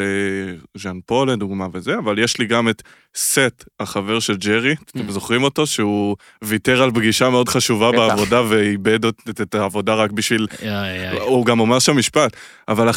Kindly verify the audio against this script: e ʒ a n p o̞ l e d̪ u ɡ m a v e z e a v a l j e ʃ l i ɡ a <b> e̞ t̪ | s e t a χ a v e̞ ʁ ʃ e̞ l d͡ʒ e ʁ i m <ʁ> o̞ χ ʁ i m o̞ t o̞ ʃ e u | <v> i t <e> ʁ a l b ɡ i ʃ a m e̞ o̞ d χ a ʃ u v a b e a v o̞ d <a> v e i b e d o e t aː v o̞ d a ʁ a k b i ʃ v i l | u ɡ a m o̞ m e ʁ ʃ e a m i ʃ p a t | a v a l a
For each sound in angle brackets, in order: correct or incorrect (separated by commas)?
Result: incorrect, incorrect, correct, correct, correct